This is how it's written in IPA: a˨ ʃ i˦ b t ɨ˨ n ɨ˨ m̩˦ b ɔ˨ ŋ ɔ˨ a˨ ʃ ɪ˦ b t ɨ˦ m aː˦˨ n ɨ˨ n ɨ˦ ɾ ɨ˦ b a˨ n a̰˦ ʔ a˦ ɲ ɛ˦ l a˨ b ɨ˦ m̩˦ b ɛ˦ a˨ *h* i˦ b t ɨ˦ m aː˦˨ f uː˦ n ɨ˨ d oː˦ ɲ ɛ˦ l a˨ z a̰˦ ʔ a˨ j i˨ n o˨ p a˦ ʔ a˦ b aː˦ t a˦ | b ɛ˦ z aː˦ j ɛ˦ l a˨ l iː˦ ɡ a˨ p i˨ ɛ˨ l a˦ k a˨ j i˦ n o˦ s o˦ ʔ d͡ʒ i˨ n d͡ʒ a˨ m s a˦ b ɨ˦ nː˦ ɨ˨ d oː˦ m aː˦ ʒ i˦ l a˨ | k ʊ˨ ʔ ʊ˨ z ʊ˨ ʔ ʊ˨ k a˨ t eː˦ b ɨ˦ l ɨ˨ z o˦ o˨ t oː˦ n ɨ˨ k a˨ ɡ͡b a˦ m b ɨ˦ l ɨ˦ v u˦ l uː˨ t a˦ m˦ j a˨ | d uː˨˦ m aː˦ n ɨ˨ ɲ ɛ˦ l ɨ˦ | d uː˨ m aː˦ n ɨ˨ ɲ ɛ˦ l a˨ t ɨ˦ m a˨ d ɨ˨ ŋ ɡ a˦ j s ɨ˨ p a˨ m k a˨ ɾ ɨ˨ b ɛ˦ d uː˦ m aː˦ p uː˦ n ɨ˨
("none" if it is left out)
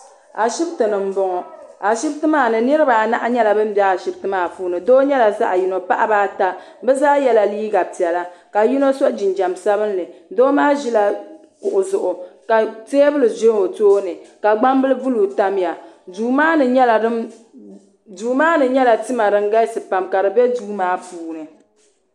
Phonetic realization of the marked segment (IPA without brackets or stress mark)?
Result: ʃ